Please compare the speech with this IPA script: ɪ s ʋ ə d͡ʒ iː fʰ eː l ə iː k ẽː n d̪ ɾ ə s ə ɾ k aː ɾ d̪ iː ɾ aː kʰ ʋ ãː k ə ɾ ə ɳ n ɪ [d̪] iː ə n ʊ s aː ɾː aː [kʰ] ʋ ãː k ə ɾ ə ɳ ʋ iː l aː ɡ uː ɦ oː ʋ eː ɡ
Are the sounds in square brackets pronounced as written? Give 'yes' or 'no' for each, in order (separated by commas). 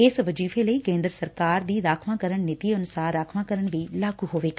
no, yes